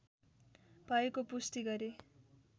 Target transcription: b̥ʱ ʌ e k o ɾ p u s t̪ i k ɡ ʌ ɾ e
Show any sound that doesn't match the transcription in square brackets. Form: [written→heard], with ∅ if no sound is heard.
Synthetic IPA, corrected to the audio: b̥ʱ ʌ e k o [ɾ→∅] p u s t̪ i [k→∅] ɡ ʌ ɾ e

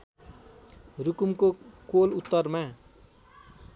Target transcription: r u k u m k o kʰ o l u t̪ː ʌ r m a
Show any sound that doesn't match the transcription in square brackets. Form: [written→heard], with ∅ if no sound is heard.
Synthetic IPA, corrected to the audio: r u k u m k o [kʰ→k] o l u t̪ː ʌ r m a

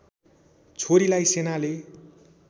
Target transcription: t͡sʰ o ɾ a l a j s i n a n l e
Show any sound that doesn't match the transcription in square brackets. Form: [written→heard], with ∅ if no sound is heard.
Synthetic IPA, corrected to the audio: t͡sʰ o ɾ [a→i] l a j s [i→e] n a [n→∅] l e

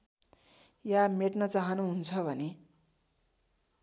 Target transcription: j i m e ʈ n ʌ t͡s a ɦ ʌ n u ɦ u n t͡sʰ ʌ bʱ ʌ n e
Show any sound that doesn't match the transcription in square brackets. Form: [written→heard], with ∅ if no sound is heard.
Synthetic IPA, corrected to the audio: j [i→a] m e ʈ n ʌ t͡s a ɦ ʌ n u ɦ u n t͡sʰ ʌ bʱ ʌ n e

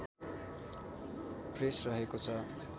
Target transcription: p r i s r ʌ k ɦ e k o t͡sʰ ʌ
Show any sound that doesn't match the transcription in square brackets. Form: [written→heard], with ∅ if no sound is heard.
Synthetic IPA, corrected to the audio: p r [i→e] s r ʌ [k→∅] ɦ e k o t͡sʰ ʌ

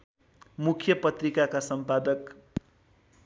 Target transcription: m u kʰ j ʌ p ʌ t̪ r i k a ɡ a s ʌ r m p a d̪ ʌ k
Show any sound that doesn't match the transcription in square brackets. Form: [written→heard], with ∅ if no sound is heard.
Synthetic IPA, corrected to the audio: m u kʰ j ʌ p ʌ t̪ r i k a [ɡ→k] a s ʌ [r→∅] m p a d̪ ʌ k

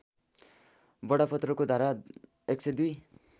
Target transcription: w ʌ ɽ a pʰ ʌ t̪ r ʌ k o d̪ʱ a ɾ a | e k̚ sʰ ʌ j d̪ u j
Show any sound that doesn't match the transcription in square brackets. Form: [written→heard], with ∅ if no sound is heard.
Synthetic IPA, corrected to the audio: [w→b] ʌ ɽ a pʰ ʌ t̪ r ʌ k o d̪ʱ a ɾ a | e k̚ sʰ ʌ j d̪ u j

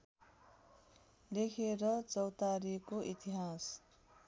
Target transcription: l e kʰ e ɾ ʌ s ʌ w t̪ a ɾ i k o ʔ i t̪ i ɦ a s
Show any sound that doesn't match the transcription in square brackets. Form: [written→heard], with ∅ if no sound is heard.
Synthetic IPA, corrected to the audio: l e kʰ e ɾ ʌ [s→t͡s] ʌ w t̪ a ɾ i k o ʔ i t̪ i ɦ a s

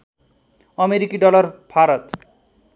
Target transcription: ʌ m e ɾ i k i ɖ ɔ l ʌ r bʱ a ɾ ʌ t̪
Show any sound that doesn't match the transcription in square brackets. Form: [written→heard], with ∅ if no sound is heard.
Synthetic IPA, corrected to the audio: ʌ m e ɾ i k i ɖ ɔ l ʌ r bʱ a ɾ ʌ t̪

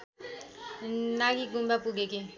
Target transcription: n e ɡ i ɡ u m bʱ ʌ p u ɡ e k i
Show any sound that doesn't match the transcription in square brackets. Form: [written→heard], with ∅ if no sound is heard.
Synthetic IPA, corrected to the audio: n [e→a] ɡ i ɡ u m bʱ [ʌ→a] p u ɡ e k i

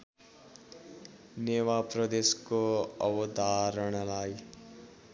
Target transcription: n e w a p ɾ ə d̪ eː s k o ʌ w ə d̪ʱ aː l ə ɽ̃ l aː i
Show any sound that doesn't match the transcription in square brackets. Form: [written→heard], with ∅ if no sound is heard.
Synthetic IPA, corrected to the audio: n e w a p ɾ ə d̪ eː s k o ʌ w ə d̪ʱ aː [l→ɾ] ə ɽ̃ l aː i

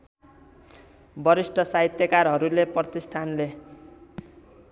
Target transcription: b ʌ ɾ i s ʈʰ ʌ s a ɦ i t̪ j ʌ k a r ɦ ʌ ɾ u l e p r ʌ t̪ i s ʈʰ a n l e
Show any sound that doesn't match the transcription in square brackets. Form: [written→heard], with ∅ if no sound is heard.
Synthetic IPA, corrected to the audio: b ʌ ɾ i s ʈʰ ʌ s a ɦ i t̪ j ʌ k a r ɦ ʌ ɾ u l e p r ʌ t̪ i s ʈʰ a n l e

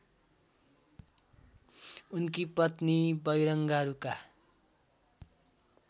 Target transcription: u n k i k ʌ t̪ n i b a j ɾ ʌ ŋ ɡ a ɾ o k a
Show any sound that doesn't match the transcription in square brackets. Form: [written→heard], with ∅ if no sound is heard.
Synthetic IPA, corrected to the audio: u n k i [k→p] ʌ t̪ n i b [a→ʌ] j ɾ ʌ ŋ ɡ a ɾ [o→u] k a

